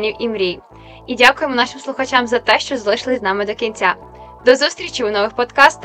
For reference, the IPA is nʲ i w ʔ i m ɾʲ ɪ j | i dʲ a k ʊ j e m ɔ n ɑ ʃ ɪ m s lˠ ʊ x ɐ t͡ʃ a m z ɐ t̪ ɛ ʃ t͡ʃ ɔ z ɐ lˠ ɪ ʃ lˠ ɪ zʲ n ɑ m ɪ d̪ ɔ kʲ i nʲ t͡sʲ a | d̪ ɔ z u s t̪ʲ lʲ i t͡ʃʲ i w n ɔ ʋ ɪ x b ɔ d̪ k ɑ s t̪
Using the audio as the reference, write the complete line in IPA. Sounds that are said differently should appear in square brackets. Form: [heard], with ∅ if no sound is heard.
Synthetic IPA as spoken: nʲ i w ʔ i m ɾʲ [i] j | i dʲ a k ʊ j e m ɔ n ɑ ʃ ɪ m s lˠ ʊ x ɐ t͡ʃ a m z ɐ t̪ ɛ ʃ t͡ʃ ɔ z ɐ lˠ ɪ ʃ lˠ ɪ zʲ n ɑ m ɪ d̪ ɔ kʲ i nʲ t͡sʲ a | d̪ ɔ z u s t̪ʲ [ɾʲ] i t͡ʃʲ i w n ɔ ʋ ɪ x [p] ɔ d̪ k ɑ s t̪